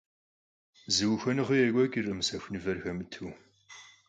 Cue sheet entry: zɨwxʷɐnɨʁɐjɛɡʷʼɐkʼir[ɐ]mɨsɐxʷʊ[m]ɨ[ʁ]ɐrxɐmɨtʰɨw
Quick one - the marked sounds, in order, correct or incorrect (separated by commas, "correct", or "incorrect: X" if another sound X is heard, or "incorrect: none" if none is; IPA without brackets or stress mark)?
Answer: correct, incorrect: n, incorrect: v